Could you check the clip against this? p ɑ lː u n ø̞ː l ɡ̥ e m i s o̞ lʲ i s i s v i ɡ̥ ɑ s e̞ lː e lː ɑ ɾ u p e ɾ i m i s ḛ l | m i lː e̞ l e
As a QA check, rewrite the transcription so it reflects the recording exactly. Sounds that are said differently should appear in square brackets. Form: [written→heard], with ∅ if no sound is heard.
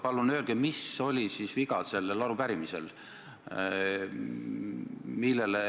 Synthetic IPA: p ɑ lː u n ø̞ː l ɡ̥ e m i s o̞ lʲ i s i s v i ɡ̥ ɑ s e̞ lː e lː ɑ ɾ u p [e→æ] ɾ i m i s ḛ l | m i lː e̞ l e

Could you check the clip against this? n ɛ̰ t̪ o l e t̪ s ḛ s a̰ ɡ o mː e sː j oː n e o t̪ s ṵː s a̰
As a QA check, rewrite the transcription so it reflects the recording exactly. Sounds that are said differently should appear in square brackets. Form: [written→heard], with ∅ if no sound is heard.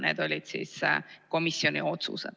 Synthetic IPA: n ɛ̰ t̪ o l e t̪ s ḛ s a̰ [ɡ→k] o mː [e→i] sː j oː n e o t̪ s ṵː s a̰

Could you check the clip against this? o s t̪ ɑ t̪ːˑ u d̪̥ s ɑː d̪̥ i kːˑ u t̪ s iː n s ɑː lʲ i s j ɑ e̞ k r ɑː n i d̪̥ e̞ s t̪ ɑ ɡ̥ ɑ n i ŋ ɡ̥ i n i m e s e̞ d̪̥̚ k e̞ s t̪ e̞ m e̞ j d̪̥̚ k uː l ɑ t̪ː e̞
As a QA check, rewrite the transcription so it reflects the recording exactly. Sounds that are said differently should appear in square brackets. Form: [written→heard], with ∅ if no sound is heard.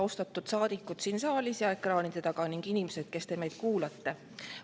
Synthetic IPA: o s t̪ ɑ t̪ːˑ u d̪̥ s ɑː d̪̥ i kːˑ u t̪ s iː n s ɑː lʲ i s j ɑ e̞ k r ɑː n i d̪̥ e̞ [s→∅] t̪ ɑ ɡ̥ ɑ n i ŋ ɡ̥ i n i m e s e̞ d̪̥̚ k e̞ s t̪ e̞ m e̞ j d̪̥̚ k uː l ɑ t̪ː e̞

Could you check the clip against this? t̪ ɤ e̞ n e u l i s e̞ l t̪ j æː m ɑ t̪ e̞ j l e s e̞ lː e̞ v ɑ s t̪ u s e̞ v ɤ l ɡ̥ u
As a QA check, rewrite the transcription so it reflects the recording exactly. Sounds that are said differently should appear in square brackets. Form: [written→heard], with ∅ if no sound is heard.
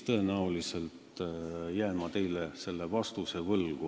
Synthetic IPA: t̪ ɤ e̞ n [e→æ] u l i s e̞ l t̪ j æː m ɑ t̪ e̞ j l e s e̞ lː e̞ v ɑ s t̪ u s e̞ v ɤ l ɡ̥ u

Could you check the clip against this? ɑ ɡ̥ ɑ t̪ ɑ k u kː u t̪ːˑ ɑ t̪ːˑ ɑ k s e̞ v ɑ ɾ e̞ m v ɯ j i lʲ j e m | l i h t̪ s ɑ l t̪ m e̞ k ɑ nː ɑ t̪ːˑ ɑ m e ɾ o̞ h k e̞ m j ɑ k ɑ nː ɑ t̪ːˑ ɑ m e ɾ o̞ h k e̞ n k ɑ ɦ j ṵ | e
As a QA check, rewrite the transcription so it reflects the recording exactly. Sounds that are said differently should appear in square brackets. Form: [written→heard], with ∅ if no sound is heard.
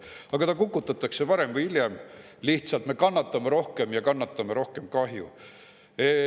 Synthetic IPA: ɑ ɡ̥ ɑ t̪ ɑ k u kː u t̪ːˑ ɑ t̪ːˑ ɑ k s e̞ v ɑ ɾ e̞ m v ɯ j i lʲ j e m | l i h t̪ s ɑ l t̪ m e̞ k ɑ nː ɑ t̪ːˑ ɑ m e ɾ o̞ h k e̞ m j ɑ k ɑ nː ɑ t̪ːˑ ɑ m e ɾ o̞ h k e̞ [n→m] k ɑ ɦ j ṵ | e

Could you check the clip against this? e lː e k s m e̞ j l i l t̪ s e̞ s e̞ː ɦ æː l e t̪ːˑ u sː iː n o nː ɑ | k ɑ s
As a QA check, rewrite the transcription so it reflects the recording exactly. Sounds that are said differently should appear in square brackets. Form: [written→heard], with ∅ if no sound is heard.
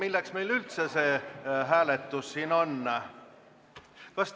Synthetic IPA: [e→i] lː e k s m e̞ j l [i→y] l t̪ s e̞ s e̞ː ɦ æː l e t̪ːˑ u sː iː n o nː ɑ | k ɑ s

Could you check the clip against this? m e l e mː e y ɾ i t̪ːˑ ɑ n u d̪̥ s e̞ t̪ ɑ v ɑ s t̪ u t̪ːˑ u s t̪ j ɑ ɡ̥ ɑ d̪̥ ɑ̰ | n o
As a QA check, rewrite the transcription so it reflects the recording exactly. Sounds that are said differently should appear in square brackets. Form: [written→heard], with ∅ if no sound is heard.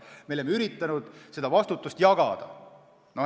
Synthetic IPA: m e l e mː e y ɾ i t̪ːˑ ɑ n u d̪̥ s e̞ [t̪→d̪] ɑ v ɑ s t̪ u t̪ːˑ u s t̪ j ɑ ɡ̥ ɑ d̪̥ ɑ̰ | n o

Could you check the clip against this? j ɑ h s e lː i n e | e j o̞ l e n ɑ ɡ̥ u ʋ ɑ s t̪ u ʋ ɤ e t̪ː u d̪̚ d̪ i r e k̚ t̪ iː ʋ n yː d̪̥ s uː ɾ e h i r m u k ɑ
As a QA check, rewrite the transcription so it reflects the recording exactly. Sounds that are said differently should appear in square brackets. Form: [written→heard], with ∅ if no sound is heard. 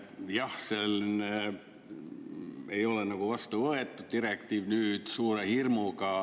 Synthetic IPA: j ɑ h s e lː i n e | e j o̞ l e n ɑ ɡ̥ u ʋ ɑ s t̪ u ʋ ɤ e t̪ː u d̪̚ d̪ i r e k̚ t̪ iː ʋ n yː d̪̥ s uː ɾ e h i r m u k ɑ

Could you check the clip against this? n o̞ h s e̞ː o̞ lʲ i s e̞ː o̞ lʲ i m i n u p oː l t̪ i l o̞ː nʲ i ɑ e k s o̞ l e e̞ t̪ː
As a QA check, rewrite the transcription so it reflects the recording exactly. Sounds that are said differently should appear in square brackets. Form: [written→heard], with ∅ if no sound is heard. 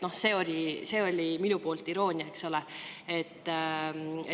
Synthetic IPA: n o̞ h s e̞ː o̞ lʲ i s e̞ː o̞ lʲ i m i n u p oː l t̪ i [l→ɾ] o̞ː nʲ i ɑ e k s o̞ l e e̞ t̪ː

